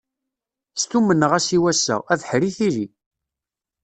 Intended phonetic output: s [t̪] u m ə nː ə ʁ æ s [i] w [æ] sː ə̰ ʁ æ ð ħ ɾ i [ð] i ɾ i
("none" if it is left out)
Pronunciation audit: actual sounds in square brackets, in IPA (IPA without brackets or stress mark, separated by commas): t̪, i, æ, θ